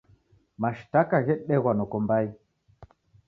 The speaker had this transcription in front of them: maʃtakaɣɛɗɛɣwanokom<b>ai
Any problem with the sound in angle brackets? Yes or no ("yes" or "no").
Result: no